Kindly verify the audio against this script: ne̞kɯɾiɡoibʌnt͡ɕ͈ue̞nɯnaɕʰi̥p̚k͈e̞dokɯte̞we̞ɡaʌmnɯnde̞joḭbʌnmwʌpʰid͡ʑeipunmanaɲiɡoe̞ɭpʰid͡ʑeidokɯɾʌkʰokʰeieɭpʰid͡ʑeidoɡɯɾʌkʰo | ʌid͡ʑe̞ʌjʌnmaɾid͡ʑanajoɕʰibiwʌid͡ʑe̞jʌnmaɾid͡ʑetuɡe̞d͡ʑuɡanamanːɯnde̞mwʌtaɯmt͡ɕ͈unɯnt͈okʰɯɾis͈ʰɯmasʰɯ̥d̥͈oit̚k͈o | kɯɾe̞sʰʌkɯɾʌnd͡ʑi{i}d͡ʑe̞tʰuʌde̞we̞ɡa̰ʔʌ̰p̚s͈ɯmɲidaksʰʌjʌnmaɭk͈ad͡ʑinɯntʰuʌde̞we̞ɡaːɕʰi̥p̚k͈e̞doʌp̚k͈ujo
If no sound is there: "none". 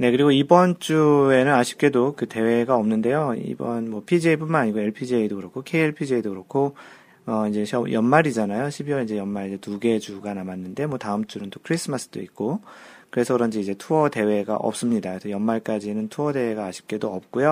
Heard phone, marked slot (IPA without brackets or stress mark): i